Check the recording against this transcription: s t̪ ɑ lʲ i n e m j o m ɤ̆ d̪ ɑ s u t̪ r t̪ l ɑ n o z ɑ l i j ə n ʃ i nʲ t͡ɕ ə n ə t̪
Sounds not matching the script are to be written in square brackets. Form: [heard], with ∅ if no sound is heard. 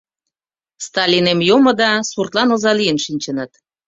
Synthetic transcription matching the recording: s t̪ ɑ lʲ i n e m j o m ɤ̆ d̪ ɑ s u [∅] r t̪ l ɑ n o z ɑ l i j ə n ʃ i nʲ t͡ɕ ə n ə t̪